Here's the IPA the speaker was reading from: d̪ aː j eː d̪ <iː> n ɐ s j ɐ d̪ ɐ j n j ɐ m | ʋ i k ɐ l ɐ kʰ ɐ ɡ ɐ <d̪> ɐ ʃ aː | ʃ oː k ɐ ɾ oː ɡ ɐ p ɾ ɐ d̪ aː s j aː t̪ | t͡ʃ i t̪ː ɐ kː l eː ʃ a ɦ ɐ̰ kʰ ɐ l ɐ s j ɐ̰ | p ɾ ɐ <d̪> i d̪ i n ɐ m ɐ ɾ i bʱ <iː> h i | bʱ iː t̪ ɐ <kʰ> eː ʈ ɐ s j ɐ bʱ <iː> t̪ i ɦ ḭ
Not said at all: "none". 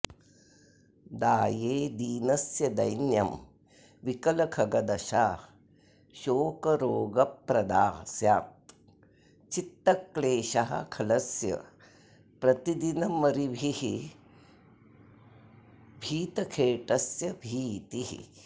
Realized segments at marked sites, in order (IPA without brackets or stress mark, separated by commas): iː, d̪, t̪, i, kʰ, iː